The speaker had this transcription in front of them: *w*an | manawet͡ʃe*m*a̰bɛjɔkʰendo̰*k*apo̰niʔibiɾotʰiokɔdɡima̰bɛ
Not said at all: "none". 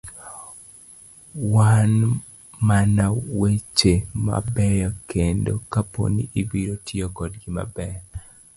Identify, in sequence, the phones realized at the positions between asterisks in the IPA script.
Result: w, m, k

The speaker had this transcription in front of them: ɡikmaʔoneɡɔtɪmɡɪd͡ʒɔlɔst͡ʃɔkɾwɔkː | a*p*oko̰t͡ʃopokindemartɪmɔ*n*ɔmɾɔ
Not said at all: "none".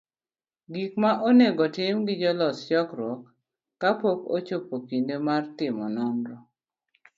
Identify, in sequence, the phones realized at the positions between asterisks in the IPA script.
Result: p, n

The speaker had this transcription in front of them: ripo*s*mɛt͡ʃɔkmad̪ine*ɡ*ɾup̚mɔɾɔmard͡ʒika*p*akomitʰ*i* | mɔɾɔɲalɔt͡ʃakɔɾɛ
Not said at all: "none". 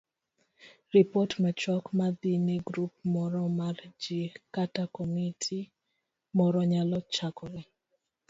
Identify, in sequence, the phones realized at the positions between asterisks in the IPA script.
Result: t, ɡ, t, i

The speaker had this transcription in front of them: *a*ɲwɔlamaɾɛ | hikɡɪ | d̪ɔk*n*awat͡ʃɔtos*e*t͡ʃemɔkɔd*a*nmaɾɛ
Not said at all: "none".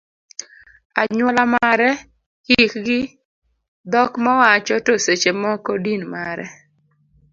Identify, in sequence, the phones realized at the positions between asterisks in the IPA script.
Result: a, m, e, i

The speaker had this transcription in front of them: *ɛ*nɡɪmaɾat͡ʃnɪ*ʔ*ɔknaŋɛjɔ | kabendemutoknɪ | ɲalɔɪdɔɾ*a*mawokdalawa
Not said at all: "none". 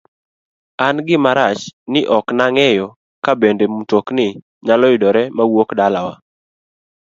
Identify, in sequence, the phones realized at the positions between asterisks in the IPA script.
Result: a, ʔ, ɛ

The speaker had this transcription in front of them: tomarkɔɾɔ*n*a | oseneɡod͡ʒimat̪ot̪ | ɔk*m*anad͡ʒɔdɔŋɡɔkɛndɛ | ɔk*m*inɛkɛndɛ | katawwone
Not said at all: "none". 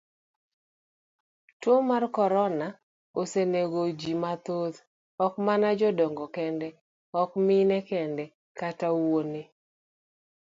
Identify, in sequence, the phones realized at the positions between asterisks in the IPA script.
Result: n, m, m

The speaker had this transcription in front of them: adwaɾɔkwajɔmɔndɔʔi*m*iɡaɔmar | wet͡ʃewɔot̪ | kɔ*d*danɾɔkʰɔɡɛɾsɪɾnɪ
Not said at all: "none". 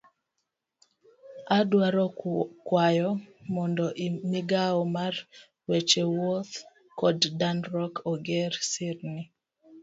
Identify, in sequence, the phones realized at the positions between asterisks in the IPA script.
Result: m, d

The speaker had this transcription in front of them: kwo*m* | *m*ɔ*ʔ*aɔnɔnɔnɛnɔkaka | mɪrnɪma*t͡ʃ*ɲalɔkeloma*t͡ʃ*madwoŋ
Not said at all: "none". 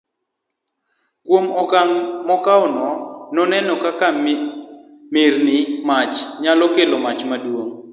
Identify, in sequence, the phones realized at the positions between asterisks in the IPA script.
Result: m, m, k, t͡ʃ, t͡ʃ

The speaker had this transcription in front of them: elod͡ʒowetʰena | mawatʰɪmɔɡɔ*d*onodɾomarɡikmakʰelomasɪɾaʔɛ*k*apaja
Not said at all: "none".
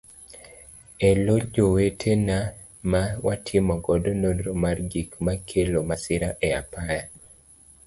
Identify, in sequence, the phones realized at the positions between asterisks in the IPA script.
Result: d, none

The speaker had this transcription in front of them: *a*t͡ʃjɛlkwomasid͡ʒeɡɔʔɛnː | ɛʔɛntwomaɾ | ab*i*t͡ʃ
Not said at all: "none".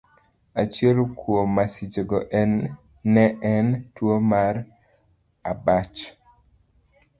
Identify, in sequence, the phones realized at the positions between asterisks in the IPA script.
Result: a, a

